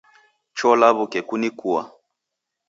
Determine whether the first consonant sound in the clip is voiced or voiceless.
voiceless